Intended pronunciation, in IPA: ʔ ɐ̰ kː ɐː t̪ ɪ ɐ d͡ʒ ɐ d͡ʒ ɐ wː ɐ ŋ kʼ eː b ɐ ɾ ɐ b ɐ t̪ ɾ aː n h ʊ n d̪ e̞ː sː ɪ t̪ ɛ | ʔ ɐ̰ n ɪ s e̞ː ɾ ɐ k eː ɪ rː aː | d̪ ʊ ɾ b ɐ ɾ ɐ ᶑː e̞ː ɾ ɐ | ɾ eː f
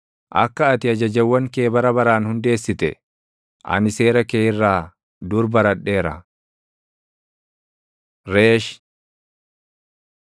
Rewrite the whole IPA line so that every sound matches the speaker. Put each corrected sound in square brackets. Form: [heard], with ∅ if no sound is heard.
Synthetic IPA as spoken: ʔ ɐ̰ kː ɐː t̪ ɪ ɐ d͡ʒ ɐ d͡ʒ ɐ wː ɐ ŋ [k] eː b ɐ ɾ ɐ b ɐ [∅] ɾ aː n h ʊ n d̪ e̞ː sː ɪ t̪ ɛ | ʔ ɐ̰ n ɪ s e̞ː ɾ ɐ k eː ɪ rː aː | d̪ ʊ ɾ b ɐ ɾ ɐ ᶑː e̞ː ɾ ɐ | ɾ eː [ʃ]